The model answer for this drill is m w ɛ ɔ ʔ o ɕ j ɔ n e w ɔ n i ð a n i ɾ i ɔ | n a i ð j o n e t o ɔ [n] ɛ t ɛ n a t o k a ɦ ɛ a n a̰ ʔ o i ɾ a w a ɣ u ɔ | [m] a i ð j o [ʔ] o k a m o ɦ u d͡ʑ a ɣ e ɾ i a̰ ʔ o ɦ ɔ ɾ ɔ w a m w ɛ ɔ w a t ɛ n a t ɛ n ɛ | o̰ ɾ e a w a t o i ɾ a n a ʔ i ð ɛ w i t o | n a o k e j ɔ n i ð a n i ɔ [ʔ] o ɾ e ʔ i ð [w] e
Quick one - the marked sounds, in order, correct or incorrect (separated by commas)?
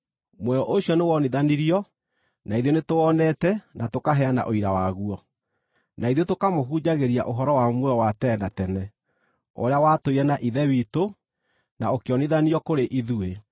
correct, incorrect, incorrect, incorrect, incorrect